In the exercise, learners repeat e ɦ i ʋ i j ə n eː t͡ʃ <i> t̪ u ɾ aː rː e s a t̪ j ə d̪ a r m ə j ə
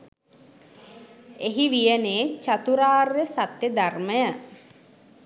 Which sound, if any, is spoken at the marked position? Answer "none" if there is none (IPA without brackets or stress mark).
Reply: a